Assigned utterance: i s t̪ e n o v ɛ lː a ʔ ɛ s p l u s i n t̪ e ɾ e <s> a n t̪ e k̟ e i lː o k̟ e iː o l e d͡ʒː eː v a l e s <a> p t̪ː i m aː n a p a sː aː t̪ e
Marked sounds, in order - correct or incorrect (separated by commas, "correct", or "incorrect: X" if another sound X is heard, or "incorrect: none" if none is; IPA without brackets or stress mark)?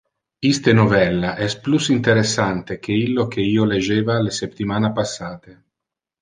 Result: incorrect: sː, incorrect: e